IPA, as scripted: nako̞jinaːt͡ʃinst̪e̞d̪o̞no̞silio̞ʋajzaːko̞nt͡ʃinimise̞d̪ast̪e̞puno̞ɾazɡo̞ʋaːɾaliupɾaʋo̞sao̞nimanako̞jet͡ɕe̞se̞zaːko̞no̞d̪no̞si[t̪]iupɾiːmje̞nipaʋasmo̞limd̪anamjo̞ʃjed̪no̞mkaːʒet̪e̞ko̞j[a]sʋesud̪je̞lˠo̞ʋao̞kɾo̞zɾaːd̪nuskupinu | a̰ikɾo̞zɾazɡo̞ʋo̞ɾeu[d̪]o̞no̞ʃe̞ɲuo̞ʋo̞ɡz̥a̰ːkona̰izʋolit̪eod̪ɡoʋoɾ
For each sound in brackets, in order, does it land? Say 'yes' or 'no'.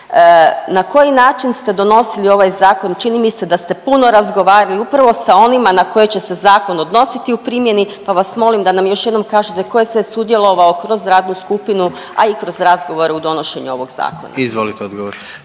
yes, no, yes

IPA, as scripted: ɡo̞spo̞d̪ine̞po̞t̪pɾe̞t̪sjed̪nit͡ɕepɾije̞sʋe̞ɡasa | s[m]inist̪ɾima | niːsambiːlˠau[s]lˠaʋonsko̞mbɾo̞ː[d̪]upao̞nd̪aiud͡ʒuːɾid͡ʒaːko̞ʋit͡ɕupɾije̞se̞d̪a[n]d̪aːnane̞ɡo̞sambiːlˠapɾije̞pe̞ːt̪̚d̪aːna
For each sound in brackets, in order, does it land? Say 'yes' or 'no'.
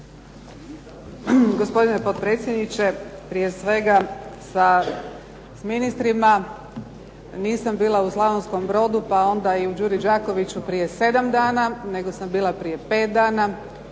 yes, yes, yes, no

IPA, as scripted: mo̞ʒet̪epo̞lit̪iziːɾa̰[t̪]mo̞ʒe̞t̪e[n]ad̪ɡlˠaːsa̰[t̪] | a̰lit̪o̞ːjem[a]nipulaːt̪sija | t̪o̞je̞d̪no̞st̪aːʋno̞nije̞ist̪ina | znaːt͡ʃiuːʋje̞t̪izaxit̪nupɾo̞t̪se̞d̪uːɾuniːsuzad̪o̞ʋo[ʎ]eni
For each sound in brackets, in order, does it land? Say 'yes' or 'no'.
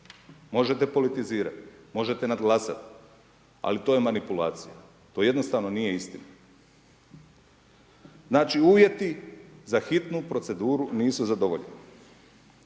yes, yes, yes, yes, yes

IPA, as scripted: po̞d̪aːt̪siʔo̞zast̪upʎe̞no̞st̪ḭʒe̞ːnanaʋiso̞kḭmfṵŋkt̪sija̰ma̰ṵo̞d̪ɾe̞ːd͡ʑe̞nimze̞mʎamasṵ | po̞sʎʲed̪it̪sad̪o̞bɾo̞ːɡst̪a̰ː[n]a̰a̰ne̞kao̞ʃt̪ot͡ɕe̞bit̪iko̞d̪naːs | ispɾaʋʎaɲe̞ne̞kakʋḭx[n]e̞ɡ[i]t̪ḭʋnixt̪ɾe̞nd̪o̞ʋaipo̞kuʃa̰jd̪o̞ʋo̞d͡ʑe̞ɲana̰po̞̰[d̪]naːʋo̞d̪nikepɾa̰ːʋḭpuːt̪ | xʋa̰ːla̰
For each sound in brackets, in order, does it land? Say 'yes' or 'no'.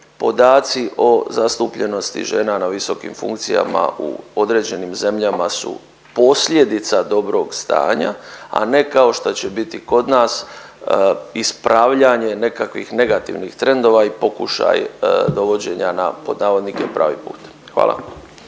no, yes, no, yes

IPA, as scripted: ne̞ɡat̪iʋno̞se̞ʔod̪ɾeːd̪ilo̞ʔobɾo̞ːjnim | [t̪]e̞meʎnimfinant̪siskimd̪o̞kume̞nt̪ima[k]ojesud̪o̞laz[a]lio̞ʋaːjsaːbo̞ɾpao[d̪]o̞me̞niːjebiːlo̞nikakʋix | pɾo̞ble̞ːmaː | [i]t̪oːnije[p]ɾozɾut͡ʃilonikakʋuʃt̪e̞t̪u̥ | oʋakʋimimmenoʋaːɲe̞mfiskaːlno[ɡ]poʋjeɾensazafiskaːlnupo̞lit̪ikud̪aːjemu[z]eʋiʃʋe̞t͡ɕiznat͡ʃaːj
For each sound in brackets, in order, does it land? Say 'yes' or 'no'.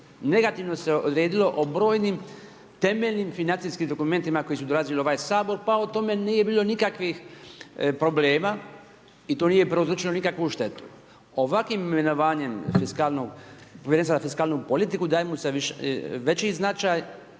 yes, yes, no, no, yes, yes, yes, no

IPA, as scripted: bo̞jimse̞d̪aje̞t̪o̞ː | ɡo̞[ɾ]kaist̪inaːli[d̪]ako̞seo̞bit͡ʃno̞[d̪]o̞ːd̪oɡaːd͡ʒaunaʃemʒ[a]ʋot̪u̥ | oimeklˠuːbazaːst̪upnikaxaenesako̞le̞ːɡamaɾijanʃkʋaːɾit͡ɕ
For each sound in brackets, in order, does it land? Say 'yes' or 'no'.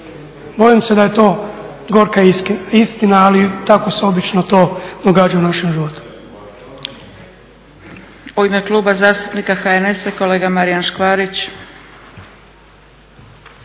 yes, no, no, no

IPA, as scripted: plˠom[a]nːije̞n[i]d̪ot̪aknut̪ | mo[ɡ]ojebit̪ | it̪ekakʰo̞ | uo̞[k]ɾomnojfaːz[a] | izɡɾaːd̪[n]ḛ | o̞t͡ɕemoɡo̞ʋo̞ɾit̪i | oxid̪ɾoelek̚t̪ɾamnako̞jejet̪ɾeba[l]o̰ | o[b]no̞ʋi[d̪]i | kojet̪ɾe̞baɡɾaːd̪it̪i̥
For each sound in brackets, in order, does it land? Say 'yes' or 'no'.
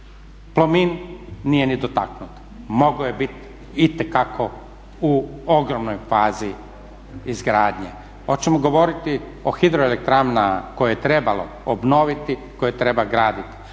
no, yes, yes, no, no, no, yes, yes, no

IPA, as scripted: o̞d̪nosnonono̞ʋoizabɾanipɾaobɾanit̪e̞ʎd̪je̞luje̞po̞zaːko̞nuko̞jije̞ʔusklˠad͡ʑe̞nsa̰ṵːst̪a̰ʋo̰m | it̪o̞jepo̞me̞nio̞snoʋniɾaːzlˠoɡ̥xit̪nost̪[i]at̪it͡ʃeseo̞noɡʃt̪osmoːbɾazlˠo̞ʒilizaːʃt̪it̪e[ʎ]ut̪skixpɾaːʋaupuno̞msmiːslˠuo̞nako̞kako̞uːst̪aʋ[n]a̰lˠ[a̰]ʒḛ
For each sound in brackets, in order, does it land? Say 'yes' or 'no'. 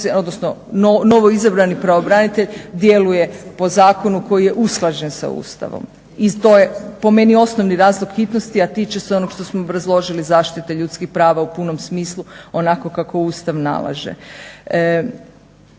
yes, yes, yes, yes

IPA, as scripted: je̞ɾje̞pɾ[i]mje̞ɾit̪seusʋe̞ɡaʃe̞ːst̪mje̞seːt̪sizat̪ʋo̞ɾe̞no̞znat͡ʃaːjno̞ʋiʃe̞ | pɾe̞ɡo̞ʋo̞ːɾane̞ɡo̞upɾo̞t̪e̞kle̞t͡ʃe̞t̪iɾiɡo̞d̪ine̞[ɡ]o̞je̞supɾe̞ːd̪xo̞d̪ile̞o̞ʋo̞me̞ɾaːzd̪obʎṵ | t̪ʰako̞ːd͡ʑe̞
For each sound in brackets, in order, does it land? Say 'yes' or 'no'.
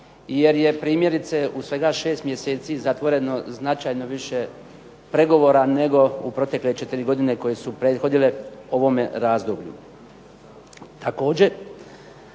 no, no

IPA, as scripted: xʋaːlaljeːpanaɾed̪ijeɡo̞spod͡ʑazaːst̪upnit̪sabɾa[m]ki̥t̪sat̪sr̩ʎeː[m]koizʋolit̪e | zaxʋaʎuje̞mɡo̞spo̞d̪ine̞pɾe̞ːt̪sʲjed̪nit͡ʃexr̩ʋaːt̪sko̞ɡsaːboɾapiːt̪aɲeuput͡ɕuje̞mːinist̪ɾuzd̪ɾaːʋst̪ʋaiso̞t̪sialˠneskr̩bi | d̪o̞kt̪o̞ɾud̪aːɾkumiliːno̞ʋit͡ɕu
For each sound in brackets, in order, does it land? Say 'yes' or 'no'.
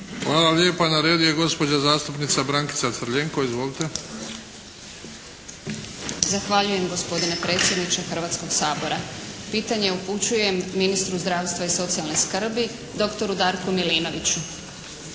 no, no

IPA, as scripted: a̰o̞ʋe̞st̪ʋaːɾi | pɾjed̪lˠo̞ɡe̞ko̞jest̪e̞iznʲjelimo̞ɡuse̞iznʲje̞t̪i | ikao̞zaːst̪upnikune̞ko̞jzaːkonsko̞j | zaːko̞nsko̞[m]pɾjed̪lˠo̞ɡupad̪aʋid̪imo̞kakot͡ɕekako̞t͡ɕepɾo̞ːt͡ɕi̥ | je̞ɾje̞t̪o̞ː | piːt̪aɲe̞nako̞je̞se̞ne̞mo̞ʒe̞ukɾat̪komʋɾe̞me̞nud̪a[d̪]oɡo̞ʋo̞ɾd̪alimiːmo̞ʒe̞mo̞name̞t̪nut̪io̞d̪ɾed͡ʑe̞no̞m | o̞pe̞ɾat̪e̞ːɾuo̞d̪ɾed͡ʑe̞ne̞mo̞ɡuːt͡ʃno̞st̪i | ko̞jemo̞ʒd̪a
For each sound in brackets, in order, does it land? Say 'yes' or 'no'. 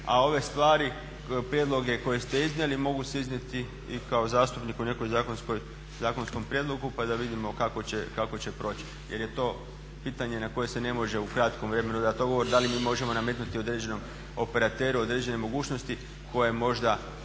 yes, no

